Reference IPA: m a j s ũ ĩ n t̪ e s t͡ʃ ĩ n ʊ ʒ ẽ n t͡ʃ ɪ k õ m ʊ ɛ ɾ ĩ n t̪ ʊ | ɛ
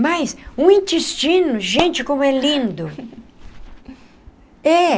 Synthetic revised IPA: m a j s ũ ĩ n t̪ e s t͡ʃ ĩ n ʊ ʒ ẽ n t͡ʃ ɪ k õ m ʊ ɛ l ĩ n d̪ ʊ | ɛ